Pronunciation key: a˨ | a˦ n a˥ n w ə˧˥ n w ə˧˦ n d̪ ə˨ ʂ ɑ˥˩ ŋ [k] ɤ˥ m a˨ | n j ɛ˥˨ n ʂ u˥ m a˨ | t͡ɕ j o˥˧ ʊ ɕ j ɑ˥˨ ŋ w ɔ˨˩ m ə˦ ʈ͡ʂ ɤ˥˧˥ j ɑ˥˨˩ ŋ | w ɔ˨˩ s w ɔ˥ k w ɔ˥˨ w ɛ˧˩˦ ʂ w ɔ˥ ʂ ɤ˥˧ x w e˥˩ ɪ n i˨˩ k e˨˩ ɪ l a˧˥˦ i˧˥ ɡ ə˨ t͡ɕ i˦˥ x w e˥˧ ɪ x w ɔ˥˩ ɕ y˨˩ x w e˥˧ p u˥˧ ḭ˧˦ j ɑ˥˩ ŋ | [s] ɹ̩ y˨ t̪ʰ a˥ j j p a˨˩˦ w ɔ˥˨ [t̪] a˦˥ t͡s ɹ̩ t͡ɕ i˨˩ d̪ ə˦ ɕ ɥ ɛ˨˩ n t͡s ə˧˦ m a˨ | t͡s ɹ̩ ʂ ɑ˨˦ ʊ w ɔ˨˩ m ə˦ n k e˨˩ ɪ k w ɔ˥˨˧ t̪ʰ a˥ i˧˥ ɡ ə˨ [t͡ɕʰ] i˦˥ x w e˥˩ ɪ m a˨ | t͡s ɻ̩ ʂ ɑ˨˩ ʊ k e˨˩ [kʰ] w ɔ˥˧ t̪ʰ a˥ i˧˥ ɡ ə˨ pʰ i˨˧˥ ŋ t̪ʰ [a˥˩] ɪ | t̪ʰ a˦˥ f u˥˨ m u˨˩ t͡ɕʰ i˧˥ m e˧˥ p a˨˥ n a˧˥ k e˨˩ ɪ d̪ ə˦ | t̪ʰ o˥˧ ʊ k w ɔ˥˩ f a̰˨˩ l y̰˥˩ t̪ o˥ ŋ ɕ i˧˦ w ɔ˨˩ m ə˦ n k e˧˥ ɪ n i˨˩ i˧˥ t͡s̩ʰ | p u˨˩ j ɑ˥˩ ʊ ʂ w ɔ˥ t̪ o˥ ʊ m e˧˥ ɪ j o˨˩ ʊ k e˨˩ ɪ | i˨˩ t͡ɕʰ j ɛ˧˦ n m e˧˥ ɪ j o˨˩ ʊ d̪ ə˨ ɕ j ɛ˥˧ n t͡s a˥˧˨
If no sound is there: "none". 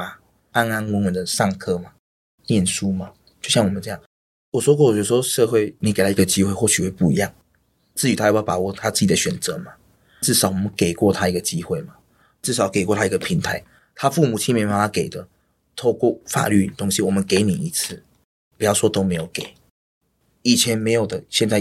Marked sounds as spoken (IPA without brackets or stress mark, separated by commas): kʰ, t͡s, t̪ʰ, t͡ɕ, k, a˧˦